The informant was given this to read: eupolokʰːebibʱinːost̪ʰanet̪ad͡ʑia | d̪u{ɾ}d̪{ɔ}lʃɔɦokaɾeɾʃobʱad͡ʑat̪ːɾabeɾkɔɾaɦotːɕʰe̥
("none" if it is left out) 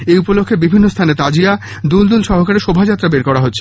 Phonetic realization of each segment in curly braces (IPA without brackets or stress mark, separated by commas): l, u